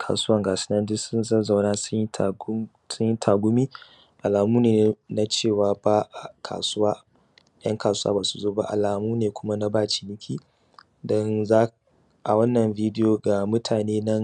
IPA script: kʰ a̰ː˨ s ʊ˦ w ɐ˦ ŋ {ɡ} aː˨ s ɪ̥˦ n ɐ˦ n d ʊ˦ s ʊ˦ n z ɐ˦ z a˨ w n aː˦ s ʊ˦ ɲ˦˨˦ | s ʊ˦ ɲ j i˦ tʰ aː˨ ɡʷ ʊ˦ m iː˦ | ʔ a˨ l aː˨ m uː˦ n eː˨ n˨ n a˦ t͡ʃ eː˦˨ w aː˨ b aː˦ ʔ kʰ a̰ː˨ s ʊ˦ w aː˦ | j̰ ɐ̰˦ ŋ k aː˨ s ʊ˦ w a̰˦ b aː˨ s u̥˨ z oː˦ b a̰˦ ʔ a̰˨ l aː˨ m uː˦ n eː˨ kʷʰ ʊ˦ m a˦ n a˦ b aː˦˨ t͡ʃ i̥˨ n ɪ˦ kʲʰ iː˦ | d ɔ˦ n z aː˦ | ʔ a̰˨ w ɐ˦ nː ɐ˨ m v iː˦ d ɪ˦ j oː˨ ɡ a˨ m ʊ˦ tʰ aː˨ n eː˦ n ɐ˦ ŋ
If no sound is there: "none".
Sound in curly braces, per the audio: ɡ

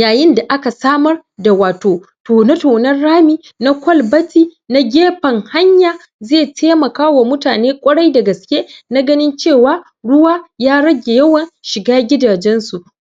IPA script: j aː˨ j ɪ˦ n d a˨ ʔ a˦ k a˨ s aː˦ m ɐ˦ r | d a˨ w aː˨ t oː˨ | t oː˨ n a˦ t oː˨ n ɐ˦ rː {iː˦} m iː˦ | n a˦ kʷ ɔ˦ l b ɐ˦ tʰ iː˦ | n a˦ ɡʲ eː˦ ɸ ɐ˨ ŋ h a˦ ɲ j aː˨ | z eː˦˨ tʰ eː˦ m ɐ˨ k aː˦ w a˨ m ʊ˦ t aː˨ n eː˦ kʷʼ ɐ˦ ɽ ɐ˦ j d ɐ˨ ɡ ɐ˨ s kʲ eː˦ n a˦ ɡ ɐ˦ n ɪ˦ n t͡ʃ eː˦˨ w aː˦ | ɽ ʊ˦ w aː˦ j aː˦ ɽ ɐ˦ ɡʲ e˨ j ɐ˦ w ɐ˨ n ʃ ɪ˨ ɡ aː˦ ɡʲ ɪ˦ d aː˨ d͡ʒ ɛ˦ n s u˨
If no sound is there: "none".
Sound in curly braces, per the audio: aː˦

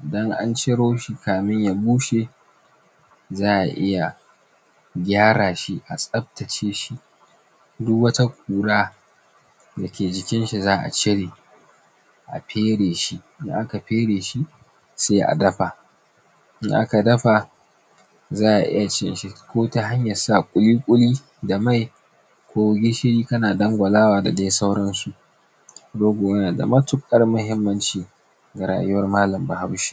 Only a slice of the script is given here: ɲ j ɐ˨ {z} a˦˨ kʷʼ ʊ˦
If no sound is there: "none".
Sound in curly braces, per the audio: s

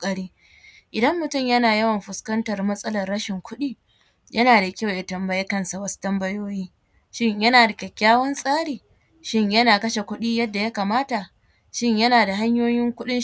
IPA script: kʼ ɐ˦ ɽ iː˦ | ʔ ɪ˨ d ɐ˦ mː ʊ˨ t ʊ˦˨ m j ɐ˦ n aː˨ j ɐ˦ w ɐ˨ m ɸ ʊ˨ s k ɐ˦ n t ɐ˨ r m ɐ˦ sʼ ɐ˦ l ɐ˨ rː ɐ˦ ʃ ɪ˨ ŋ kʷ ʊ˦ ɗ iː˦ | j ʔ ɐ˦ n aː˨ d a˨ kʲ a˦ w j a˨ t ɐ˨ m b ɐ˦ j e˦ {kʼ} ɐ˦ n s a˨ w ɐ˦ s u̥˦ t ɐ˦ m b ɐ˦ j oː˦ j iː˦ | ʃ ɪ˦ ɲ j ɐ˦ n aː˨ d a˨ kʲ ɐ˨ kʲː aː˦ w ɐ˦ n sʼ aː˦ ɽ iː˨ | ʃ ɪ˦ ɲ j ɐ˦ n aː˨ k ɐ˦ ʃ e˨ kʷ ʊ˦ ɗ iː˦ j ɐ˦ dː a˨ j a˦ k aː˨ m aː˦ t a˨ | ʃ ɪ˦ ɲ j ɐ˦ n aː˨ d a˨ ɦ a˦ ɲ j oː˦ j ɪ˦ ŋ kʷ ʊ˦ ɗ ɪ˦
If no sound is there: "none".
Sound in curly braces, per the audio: k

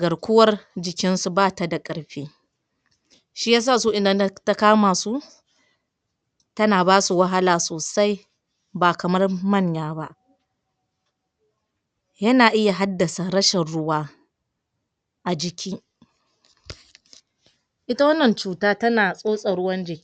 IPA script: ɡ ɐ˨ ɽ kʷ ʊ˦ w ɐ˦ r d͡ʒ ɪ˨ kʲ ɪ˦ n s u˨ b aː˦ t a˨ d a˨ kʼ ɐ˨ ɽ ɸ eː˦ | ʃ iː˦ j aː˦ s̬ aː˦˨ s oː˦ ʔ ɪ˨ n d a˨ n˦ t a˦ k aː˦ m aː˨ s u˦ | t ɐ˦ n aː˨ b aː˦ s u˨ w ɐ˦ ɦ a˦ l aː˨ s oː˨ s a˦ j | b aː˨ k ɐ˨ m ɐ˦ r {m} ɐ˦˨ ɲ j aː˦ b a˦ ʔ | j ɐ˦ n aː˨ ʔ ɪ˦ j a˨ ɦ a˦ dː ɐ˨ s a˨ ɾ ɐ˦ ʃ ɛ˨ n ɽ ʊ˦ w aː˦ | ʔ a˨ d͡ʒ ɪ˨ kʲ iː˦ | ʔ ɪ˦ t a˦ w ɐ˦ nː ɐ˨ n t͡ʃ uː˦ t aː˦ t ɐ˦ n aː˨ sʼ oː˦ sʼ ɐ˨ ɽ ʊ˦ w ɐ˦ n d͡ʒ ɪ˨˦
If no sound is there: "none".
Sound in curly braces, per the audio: m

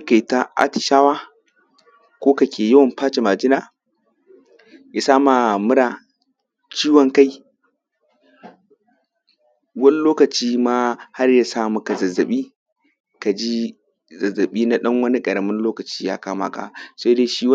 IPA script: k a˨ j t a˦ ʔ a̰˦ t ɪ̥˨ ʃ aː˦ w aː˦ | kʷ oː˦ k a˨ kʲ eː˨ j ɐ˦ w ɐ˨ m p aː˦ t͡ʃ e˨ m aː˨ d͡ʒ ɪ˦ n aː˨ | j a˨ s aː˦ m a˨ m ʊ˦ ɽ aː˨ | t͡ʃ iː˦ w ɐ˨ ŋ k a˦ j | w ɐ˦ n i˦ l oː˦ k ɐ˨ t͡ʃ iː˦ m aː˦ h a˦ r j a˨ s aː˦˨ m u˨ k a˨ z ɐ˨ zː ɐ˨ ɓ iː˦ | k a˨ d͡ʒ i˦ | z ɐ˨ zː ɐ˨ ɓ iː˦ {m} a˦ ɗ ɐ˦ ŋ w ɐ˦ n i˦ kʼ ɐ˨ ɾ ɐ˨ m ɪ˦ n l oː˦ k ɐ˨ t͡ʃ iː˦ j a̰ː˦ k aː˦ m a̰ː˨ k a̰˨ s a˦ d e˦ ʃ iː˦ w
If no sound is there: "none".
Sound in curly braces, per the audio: n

